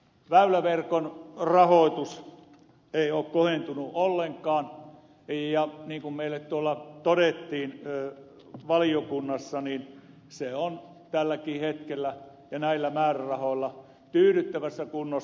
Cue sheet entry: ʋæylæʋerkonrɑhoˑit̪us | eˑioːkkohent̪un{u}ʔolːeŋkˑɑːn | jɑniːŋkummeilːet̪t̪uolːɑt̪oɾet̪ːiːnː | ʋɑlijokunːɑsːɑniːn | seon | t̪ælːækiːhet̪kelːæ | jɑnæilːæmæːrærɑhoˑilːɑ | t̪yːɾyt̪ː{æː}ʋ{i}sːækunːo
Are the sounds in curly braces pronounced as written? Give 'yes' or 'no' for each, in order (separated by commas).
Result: yes, no, no